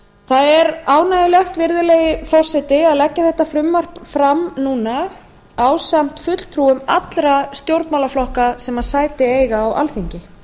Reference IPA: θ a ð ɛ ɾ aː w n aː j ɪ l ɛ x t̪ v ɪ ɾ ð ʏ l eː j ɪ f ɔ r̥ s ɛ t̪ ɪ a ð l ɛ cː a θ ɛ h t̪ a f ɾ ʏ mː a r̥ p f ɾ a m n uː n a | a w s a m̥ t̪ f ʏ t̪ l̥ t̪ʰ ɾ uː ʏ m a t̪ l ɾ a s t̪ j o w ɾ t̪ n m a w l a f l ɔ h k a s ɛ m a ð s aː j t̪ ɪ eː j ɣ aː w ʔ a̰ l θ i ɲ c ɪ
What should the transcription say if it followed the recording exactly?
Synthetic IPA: θ a ð ɛ ɾ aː w n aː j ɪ l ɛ x t̪ v ɪ ɾ ð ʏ l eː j ɪ f ɔ r̥ s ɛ t̪ ɪ a ð l ɛ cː a θ ɛ h t̪ a f ɾ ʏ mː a r̥ p f ɾ a m n uː n a | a w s a m̥ t̪ f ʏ t̪ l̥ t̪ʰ ɾ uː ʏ m a t̪ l ɾ a s t̪ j o w ɾ t̪ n m a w l a f l ɔ h k a s ɛ m a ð s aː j t̪ ɪ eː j ɣ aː w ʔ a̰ l θ i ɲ c ɪ